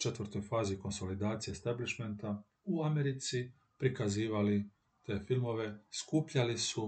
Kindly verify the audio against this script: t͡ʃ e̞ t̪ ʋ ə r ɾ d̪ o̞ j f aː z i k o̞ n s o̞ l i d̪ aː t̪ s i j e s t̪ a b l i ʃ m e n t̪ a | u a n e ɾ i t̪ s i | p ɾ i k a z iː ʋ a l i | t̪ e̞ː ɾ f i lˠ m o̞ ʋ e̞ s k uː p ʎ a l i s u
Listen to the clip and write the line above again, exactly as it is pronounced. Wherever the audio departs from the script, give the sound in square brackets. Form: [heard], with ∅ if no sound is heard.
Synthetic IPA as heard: t͡ʃ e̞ t̪ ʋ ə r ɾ [t̪] o̞ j f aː z i k o̞ n s o̞ l i d̪ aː t̪ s i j e s t̪ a b l i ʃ m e n t̪ a | u a [m] e ɾ i t̪ s i | p ɾ i k a z iː ʋ a l i | t̪ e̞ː [∅] f i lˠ m o̞ ʋ e̞ s k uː p ʎ a l i s u